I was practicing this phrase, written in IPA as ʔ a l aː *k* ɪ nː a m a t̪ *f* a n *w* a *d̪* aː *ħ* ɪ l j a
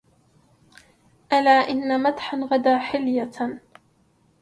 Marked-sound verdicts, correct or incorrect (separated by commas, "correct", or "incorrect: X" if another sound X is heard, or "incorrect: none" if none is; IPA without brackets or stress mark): incorrect: ʔ, incorrect: ħ, incorrect: ɣ, correct, correct